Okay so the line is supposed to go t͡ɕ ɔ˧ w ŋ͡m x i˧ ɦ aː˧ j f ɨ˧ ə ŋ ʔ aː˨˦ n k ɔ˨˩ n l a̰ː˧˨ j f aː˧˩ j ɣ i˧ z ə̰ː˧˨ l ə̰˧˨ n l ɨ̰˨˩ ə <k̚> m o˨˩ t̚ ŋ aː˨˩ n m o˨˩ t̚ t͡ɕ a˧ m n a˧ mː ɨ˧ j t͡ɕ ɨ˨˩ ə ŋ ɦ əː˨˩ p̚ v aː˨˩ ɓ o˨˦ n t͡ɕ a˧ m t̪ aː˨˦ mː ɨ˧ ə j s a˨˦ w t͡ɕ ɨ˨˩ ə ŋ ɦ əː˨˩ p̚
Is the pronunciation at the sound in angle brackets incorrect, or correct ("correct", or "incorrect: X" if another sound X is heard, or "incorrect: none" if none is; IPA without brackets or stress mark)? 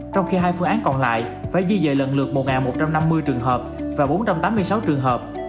correct